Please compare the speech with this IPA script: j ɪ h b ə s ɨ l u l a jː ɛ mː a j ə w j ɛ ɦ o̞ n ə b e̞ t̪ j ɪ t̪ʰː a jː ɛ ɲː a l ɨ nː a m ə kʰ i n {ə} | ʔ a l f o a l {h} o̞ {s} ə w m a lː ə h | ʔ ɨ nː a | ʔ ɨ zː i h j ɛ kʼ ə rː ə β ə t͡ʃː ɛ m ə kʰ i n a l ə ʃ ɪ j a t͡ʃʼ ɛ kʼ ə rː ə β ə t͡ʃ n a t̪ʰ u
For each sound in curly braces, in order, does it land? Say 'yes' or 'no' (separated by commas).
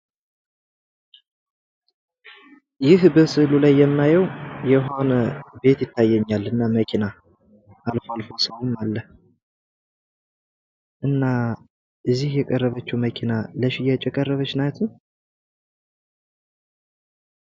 no, no, yes